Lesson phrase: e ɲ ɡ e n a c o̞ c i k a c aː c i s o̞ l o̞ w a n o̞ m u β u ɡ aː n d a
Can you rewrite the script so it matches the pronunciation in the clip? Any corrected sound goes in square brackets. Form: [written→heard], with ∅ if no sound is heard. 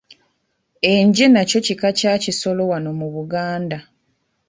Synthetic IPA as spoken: e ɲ [ɡ→ɟ] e n a c o̞ c i k a c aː c i s o̞ l o̞ w a n o̞ m u β u ɡ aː n d a